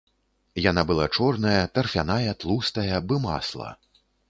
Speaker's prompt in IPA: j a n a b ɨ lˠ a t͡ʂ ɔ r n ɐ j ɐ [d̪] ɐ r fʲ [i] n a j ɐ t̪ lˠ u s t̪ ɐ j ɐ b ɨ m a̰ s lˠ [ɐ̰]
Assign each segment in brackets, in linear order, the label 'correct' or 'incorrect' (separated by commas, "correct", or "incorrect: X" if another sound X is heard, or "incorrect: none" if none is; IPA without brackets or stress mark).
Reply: incorrect: t̪, incorrect: a, correct